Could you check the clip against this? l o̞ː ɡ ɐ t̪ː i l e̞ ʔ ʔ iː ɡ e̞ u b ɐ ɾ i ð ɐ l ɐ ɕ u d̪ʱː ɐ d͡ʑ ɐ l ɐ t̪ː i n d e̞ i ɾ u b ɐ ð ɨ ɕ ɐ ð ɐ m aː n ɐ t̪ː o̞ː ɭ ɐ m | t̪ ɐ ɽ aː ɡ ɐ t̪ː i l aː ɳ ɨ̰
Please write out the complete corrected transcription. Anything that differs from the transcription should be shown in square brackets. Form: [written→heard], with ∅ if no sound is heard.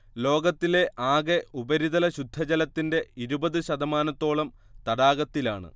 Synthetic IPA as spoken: l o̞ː ɡ ɐ t̪ː i l e̞ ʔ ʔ [iː→aː] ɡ e̞ u b ɐ ɾ i ð ɐ l ɐ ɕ u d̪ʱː ɐ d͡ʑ ɐ l ɐ t̪ː i n d e̞ i ɾ u b ɐ ð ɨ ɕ ɐ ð ɐ m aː n ɐ t̪ː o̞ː ɭ ɐ m | t̪ ɐ ɽ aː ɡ ɐ t̪ː i l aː ɳ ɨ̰